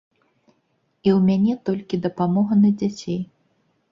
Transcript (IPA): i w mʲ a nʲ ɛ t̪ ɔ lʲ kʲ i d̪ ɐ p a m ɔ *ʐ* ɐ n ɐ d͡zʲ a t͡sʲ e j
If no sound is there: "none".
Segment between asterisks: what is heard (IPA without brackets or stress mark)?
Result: ɣ